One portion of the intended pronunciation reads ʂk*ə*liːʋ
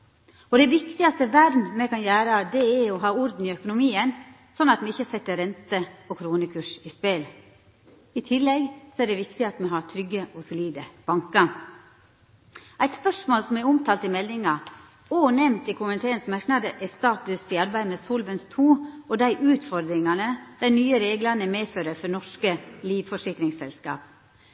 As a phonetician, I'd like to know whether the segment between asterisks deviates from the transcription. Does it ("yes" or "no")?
no